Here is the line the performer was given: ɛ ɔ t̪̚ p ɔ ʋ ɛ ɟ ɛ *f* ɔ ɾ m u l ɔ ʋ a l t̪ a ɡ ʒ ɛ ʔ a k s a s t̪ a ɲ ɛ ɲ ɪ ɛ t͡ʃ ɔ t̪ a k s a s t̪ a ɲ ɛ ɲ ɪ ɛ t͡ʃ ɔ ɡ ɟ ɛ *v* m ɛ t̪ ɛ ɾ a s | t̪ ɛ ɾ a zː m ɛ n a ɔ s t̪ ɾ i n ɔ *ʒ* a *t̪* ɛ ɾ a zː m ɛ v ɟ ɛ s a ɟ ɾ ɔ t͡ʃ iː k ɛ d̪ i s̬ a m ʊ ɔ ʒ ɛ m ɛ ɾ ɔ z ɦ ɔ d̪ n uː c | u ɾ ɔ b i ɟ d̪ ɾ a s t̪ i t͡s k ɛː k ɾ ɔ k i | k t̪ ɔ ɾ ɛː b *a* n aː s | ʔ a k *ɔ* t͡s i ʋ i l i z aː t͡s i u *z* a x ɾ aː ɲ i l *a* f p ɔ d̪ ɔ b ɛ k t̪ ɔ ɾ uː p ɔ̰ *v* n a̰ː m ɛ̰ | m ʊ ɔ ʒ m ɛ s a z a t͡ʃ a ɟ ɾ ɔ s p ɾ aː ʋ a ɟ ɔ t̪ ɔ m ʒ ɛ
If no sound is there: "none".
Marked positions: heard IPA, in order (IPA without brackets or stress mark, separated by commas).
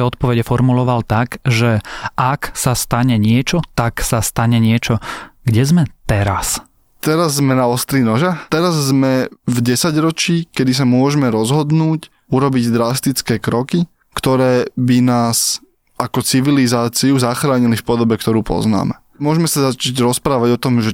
f, z, ʒ, t̪, i, ɔ, z, i, z